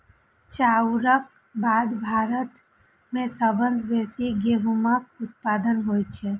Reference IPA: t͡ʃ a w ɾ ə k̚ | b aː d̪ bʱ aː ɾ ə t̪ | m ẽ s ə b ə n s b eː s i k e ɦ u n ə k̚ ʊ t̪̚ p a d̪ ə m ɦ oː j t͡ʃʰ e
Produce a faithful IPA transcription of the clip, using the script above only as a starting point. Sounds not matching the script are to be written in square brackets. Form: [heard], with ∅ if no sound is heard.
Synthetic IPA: t͡ʃ a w ɾ ə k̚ | b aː d̪ bʱ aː ɾ ə t̪ | m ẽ s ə b ə n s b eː s i [ɡ] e ɦ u [m] ə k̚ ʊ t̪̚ p a d̪ ə [n] ɦ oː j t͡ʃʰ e